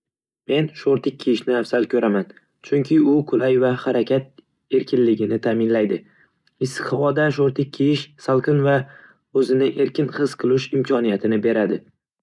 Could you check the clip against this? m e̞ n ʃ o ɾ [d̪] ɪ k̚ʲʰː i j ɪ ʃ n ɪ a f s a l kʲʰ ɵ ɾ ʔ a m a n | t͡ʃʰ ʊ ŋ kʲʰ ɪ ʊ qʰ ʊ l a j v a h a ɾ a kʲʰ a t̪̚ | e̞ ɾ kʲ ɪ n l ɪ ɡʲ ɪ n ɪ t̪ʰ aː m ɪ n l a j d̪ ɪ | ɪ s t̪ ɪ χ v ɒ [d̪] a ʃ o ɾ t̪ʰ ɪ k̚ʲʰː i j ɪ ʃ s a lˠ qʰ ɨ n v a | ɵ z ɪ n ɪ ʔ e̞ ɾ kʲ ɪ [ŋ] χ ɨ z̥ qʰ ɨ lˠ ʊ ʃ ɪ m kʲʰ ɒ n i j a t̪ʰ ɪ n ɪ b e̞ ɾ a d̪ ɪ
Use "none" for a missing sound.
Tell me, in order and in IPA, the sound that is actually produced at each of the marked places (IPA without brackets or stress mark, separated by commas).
t̪, d̪, n